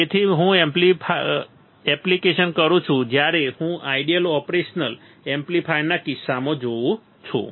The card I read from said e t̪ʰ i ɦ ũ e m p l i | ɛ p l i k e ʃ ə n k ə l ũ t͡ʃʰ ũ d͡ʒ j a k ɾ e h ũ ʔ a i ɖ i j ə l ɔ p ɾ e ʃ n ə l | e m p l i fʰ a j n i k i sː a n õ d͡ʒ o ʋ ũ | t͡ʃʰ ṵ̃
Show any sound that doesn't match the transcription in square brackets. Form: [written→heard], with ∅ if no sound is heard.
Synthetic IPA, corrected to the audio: e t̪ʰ i ɦ ũ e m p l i | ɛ p l i k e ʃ ə n k ə [l→ɾ] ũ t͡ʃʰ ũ d͡ʒ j a [k→∅] ɾ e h ũ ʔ a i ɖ i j ə l ɔ p ɾ e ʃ n ə l | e m p l i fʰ a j n [i→a] k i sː a [n→m] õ d͡ʒ o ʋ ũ | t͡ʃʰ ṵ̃